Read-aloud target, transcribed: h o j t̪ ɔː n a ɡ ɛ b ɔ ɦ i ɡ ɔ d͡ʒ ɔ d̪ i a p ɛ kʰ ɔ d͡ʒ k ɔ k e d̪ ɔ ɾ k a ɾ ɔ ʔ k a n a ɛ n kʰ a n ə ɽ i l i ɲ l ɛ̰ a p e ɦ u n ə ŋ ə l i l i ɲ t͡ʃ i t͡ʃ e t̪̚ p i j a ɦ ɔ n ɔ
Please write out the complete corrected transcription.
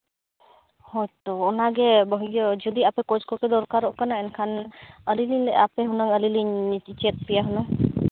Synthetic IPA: h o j t̪ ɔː n a ɡ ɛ b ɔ ɦ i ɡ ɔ d͡ʒ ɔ d̪ i a p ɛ k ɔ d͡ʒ k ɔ k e d̪ ɔ ɾ k a ɾ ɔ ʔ k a n a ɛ n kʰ a n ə l i l i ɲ l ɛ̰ a p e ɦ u n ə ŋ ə l i l i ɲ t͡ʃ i t͡ʃ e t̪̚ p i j a ɦ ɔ n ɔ